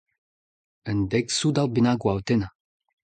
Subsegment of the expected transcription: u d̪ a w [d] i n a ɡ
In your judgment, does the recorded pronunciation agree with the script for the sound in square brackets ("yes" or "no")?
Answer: no